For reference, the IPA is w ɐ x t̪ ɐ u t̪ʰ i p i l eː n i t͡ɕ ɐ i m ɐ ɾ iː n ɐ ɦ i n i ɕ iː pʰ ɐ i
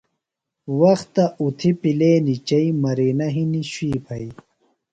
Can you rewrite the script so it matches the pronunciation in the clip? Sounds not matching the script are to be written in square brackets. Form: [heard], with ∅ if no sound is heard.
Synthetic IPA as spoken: w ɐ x t̪ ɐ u t̪ʰ i p i l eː n i t͡ɕ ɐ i m ɐ ɾ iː n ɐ ɦ i n i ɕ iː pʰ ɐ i